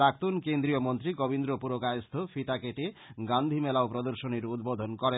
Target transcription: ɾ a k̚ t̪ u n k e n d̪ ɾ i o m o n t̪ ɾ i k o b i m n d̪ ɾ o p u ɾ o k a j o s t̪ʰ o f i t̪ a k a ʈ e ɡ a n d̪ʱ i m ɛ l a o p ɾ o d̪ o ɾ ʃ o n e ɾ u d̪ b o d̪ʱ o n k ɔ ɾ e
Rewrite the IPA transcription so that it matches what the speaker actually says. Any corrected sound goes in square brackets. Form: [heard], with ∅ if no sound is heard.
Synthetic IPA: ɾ a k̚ t̪ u n k e n d̪ ɾ i o m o n t̪ ɾ i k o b i [∅] n d̪ ɾ o p u ɾ o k a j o s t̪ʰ o f i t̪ a k [e] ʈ e ɡ a n d̪ʱ i m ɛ l a o p ɾ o d̪ o ɾ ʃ o n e ɾ u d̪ b o d̪ʱ o n k ɔ ɾ e